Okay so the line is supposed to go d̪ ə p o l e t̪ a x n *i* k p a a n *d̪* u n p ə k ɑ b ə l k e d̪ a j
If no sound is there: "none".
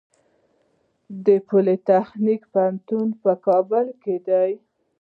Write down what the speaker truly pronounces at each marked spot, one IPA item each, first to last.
i, t̪

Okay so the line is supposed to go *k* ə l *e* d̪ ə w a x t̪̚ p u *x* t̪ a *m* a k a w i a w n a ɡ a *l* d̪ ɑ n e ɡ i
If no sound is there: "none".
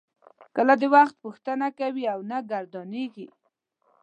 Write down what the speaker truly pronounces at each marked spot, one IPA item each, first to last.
k, a, x, n, ɾ

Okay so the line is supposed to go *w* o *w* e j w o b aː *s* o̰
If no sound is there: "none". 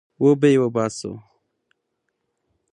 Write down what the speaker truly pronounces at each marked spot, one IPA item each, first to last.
w, b, s

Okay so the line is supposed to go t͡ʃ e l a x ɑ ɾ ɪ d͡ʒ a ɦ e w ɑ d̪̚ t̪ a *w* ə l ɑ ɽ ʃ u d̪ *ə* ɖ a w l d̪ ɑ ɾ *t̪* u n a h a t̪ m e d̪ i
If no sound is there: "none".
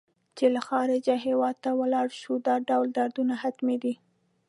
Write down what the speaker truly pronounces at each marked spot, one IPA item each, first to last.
w, ɑ, d̪

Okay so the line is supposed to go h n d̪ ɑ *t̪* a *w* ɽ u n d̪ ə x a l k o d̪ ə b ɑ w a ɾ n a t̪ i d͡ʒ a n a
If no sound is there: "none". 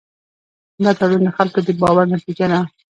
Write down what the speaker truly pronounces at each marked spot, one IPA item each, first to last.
t̪, none

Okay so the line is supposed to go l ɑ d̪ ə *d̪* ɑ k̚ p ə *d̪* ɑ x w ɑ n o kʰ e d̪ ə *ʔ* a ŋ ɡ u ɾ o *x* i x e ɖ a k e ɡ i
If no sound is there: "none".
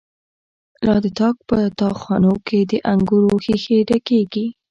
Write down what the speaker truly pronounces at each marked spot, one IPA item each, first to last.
t̪, t̪, ʔ, x

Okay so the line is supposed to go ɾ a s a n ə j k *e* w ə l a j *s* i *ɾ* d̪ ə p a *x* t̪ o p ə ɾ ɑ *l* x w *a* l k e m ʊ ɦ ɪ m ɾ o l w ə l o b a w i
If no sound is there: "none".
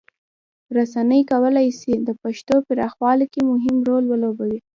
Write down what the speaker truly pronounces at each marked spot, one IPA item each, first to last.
a, s, none, ʃ, none, ɑ

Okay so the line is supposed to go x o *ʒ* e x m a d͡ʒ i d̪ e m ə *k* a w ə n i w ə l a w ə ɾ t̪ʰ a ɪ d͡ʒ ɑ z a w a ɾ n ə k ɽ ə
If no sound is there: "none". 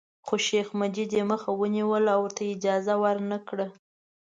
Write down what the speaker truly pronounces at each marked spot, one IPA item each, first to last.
ʃ, x

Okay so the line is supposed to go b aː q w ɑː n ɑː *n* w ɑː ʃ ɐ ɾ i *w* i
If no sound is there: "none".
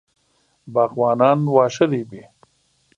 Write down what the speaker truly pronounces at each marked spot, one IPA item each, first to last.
n, b

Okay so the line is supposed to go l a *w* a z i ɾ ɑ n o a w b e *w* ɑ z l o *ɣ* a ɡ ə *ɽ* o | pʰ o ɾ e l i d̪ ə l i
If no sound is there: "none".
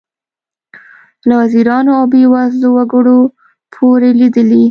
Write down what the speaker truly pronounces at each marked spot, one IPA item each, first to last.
w, w, w, ɽ

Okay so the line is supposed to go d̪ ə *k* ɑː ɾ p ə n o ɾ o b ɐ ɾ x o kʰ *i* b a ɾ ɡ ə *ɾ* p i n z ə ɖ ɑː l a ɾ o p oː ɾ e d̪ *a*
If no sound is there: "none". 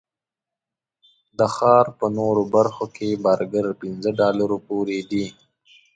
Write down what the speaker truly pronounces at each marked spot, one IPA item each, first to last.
x, e, ɾ, i

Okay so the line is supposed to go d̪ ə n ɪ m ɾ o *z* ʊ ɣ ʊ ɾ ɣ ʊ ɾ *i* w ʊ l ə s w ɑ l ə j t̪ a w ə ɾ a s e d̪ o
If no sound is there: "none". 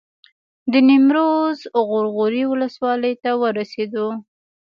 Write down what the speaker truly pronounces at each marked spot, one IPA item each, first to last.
z, i

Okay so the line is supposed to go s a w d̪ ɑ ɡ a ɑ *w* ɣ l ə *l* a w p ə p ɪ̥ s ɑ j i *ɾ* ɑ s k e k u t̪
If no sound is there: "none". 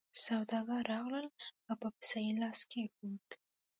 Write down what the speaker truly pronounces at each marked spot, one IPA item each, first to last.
none, l, l

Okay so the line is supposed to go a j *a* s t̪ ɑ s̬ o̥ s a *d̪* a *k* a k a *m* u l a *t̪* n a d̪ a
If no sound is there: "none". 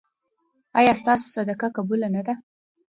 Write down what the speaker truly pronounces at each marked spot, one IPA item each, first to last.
ɑ, d̪, k, b, none

